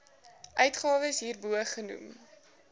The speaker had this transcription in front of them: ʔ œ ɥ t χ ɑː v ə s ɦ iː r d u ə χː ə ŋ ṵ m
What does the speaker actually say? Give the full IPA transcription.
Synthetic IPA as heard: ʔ œ ɥ t χ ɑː v ə s ɦ iː r b u ə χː ə n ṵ m